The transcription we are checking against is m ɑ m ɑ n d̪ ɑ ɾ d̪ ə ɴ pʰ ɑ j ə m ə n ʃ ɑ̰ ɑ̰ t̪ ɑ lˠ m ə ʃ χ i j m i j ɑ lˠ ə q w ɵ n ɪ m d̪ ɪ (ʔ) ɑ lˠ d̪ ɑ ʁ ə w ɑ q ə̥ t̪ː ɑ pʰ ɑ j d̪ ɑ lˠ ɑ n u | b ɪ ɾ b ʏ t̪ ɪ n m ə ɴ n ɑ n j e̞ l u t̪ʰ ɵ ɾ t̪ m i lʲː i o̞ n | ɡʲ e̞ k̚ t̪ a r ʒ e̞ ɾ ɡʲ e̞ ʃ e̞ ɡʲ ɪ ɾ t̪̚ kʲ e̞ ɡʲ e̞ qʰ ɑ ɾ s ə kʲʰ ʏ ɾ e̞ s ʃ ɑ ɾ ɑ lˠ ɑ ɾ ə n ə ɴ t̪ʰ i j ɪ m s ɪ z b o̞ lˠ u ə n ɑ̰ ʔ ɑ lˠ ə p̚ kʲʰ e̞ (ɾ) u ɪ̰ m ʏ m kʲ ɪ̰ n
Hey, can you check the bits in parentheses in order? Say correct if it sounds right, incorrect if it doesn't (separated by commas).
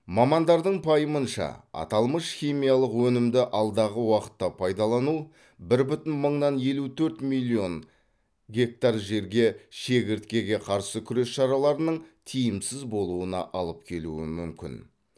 correct, incorrect